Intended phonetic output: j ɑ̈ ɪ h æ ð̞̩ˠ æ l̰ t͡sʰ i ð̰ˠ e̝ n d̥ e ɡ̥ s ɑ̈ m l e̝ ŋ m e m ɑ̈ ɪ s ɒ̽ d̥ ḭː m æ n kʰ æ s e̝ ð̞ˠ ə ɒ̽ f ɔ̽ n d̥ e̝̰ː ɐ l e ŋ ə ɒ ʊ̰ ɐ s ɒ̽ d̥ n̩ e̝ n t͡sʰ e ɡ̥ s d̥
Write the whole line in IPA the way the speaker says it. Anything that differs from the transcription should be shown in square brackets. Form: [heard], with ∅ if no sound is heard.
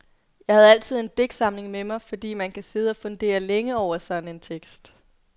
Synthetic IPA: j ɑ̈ ɪ h æ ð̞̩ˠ æ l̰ t͡sʰ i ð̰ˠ e̝ n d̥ e ɡ̥ s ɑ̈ m l e̝ ŋ m e m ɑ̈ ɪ [f] ɒ̽ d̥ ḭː m æ n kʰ æ s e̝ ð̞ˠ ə ɒ̽ f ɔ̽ n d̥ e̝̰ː ɐ l e ŋ ə ɒ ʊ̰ ɐ s ɒ̽ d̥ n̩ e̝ n t͡sʰ e ɡ̥ s d̥